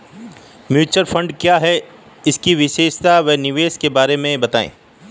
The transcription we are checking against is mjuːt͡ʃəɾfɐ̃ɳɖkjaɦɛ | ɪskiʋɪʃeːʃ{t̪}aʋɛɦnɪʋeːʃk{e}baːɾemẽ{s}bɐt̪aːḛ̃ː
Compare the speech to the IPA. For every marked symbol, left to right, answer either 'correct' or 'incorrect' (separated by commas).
correct, correct, incorrect